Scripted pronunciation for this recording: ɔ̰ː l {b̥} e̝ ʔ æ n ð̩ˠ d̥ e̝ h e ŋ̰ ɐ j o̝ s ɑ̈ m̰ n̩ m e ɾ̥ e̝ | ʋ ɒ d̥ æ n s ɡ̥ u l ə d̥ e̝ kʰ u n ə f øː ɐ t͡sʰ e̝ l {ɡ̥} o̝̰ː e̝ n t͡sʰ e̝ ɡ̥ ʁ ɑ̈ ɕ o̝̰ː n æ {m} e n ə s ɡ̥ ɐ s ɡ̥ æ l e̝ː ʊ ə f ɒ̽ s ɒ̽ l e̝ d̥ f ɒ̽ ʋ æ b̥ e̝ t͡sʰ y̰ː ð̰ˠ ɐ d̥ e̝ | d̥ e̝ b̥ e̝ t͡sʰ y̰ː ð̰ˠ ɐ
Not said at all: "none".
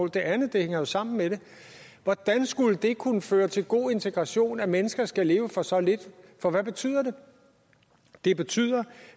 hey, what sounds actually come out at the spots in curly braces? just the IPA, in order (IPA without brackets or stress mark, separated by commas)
d̥, ɡ̥, m